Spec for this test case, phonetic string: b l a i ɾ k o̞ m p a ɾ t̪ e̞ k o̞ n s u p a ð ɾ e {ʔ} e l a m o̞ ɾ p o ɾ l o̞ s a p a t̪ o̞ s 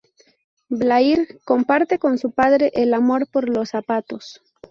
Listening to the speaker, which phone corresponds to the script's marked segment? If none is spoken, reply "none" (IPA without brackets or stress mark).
ʔ